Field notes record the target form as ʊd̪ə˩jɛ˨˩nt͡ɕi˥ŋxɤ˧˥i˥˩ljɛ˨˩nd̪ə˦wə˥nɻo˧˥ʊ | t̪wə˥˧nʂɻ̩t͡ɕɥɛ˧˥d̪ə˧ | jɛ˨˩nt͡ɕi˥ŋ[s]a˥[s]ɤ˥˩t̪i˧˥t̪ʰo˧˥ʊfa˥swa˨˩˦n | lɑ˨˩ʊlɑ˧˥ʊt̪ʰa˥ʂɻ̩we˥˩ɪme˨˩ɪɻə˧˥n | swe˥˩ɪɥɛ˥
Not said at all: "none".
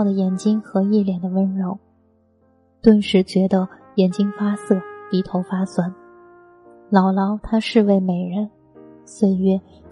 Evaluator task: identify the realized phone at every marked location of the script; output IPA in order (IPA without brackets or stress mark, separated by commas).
f, s